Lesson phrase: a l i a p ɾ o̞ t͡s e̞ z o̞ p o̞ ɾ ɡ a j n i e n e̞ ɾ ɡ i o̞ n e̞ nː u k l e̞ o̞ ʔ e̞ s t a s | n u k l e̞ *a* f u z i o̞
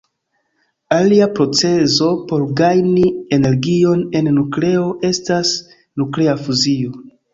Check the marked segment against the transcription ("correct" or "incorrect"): correct